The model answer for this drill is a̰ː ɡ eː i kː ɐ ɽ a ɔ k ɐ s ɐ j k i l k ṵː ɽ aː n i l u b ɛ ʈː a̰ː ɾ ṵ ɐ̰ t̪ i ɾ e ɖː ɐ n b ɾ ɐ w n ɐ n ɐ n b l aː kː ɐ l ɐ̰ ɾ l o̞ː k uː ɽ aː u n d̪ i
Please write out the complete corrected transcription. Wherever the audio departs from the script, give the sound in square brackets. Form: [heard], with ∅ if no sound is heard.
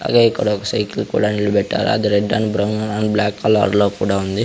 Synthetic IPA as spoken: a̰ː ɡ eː i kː ɐ ɽ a ɔ k ɐ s ɐ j k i l k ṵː ɽ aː n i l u b ɛ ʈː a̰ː ɾ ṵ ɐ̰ [d̪] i ɾ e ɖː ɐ n b ɾ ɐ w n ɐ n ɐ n b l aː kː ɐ l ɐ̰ ɾ l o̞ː k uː ɽ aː u n d̪ i